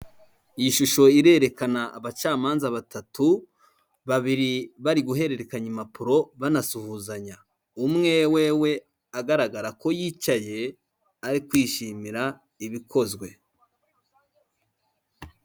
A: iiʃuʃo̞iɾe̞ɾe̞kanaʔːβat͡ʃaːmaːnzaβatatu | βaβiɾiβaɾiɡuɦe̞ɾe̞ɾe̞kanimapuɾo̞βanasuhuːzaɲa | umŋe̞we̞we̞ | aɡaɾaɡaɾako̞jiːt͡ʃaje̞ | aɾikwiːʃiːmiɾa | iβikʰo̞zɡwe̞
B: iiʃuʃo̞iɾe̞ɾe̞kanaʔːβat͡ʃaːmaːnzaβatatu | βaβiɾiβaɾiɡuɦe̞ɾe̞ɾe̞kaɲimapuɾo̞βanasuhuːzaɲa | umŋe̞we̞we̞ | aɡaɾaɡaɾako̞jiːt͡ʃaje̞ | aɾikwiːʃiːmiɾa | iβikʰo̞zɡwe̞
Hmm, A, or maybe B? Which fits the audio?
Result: B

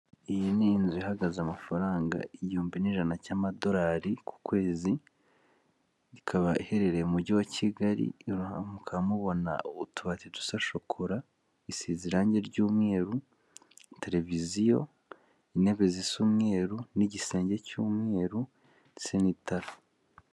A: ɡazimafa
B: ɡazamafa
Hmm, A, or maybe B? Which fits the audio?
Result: B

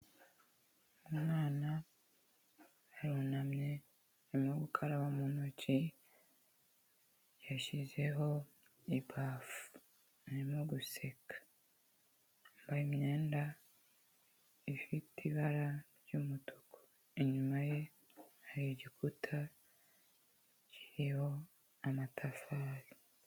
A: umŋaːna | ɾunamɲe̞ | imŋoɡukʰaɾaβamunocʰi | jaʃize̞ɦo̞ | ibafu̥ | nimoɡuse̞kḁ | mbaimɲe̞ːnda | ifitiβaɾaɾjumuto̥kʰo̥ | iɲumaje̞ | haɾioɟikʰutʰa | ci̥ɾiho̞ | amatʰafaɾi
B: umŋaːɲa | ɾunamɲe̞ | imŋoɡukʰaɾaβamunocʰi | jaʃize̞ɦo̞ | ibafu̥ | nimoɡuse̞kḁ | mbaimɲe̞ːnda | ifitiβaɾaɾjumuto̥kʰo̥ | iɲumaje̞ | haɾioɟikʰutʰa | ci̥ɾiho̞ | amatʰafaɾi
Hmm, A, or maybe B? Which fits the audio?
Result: A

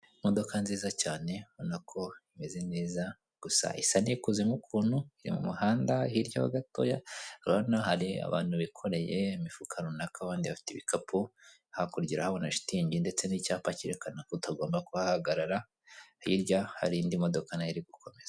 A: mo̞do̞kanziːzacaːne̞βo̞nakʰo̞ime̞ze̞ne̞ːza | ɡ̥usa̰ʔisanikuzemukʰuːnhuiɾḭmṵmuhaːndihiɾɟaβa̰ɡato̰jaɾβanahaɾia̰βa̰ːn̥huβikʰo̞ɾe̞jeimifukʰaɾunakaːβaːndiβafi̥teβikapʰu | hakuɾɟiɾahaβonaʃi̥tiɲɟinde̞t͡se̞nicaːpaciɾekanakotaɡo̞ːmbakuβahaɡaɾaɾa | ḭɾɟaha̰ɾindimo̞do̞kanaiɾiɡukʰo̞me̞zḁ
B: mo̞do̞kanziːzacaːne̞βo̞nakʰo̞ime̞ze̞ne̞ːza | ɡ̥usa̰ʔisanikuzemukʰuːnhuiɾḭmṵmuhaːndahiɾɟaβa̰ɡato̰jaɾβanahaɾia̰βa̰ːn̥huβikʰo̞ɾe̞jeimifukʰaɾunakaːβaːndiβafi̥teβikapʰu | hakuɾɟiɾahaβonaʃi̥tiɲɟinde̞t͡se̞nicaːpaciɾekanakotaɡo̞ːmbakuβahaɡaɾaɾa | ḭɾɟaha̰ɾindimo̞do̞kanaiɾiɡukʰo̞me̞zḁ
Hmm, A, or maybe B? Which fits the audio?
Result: B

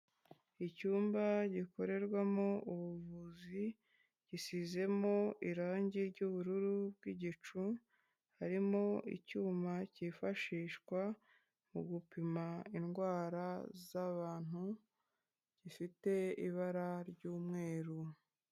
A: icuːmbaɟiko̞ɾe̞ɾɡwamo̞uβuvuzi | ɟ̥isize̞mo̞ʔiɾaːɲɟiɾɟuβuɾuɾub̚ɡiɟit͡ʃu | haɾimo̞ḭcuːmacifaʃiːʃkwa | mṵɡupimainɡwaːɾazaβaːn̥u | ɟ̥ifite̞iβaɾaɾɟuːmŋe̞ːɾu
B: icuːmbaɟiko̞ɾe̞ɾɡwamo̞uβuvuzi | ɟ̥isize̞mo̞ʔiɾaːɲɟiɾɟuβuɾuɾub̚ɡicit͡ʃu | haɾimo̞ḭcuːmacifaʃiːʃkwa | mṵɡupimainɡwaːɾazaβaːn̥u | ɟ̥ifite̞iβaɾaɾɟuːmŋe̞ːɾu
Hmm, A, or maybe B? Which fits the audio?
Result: A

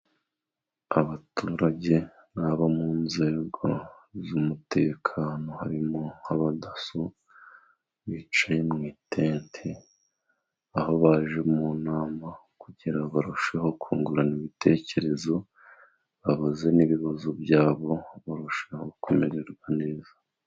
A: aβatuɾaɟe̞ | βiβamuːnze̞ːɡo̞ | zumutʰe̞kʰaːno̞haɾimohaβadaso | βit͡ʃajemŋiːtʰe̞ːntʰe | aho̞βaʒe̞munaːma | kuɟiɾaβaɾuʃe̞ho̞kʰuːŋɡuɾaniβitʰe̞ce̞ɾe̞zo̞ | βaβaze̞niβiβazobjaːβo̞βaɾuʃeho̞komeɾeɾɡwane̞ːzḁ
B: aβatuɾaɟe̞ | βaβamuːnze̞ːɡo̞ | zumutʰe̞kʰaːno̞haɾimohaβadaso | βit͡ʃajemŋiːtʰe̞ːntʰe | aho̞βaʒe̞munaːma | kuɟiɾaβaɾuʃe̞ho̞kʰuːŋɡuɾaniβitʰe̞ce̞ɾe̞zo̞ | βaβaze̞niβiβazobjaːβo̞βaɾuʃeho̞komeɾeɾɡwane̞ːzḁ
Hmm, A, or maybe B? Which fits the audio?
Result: B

